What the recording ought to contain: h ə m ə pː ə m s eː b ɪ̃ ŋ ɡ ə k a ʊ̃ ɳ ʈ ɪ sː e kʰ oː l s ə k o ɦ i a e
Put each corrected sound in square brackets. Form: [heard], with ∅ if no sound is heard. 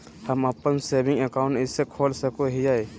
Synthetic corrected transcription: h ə m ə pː ə [n] s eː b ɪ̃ ŋ ɡ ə k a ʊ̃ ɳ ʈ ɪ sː e kʰ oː l s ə k o ɦ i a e